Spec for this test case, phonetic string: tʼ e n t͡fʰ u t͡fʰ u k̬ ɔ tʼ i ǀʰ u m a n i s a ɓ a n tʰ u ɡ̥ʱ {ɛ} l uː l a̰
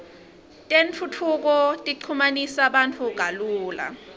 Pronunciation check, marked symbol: incorrect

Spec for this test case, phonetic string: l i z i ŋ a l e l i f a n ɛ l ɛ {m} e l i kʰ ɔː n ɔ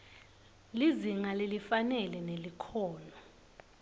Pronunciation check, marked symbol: incorrect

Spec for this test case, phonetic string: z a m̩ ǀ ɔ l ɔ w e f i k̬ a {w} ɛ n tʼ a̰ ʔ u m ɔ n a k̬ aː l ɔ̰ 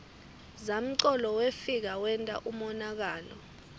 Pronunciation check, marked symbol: correct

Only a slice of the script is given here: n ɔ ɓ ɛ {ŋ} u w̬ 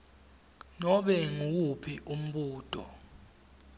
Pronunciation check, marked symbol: correct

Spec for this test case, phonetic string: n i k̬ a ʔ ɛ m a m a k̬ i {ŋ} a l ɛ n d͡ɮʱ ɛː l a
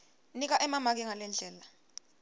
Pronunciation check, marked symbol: correct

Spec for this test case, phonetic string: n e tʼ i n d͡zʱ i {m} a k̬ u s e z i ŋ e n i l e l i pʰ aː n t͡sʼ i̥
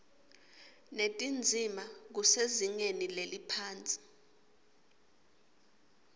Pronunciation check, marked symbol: correct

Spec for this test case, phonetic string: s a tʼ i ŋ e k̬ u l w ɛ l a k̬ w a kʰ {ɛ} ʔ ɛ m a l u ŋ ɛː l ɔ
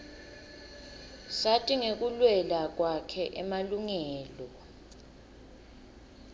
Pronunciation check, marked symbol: correct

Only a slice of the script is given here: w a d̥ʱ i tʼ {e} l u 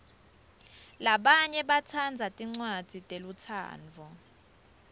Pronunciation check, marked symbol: correct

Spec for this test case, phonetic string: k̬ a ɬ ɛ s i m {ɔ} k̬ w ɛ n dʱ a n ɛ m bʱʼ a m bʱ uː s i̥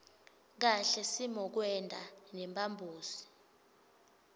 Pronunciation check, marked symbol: correct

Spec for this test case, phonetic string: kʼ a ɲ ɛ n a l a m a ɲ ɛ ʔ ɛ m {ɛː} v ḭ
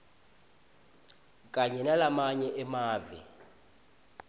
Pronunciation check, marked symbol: incorrect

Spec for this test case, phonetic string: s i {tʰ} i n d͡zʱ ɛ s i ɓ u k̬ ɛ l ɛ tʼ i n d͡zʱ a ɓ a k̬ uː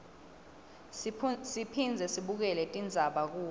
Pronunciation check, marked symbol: incorrect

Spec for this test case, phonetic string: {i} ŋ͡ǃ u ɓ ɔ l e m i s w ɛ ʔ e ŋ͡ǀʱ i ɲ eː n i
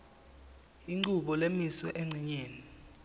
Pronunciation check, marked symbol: correct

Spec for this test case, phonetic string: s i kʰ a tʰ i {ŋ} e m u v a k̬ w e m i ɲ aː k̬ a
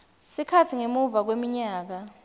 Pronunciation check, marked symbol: correct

